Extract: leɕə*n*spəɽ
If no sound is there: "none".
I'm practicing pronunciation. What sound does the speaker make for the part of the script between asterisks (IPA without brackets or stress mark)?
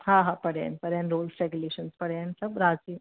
n